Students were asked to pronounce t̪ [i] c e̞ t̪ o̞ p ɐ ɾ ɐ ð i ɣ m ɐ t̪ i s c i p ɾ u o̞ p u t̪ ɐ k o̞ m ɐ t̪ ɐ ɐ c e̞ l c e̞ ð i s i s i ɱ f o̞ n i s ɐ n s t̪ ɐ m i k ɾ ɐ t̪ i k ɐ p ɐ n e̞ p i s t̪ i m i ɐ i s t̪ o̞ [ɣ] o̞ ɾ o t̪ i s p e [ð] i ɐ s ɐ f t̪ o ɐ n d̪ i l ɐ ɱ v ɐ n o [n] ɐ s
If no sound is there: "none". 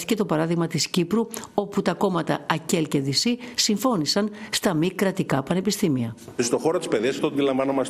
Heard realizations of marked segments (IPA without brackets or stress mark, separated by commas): i, x, ð, m